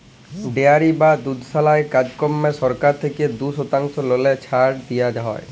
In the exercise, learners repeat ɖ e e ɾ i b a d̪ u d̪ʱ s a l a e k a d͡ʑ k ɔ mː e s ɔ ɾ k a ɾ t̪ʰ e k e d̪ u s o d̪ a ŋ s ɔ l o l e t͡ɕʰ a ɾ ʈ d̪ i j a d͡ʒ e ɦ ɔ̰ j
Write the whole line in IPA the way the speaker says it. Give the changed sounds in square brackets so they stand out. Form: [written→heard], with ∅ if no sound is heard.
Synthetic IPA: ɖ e [e→a] ɾ i b a d̪ u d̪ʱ s a l a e k a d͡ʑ k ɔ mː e s ɔ ɾ k a ɾ t̪ʰ e k e d̪ u s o [d̪→t̪] a ŋ s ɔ l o l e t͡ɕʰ a ɾ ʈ d̪ i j a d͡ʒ [e→a] ɦ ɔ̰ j